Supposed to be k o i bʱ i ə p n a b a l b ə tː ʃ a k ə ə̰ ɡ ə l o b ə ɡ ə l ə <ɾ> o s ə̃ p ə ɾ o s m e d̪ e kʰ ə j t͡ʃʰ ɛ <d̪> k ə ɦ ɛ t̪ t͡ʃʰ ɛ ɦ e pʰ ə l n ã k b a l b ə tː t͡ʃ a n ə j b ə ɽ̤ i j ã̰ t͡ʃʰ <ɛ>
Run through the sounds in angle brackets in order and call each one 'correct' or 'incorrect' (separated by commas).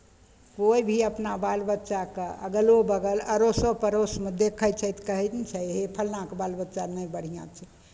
correct, incorrect, correct